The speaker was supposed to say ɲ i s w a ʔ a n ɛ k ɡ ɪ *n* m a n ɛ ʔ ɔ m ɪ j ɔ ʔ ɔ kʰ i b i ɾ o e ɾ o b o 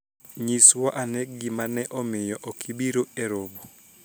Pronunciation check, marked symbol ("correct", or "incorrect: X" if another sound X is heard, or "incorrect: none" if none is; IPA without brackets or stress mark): incorrect: none